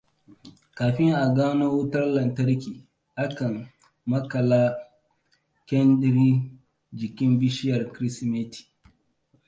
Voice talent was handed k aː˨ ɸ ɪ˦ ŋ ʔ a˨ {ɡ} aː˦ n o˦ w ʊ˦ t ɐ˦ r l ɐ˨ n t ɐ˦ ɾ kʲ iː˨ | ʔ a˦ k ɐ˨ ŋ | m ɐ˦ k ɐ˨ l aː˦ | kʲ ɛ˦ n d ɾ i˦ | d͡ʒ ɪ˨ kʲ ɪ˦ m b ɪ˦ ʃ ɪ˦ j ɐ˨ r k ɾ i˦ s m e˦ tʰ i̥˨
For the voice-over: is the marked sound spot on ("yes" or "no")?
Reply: yes